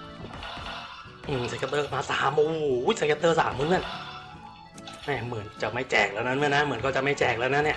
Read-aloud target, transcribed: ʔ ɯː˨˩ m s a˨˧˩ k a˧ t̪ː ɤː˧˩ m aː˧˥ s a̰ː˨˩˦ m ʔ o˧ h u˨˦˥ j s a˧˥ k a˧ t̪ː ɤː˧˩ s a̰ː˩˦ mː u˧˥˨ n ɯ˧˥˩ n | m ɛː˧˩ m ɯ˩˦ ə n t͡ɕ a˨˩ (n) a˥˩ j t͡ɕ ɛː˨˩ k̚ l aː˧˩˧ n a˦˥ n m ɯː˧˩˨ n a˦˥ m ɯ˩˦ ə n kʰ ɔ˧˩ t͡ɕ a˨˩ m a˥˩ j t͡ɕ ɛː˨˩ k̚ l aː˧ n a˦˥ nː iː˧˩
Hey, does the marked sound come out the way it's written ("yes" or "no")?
no